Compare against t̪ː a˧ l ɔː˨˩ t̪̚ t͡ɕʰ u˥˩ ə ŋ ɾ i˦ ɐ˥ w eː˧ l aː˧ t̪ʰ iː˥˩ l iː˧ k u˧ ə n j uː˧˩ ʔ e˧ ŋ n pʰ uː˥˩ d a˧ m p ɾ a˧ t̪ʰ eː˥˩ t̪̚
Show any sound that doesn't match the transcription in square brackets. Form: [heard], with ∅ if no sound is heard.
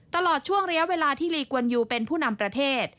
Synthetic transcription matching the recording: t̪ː a˧ l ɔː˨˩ t̪̚ t͡ɕʰ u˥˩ ə ŋ ɾ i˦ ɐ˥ w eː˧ l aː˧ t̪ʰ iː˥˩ l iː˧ k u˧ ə n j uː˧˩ [p] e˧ [∅] n pʰ uː˥˩ [n] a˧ m p ɾ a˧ t̪ʰ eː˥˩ t̪̚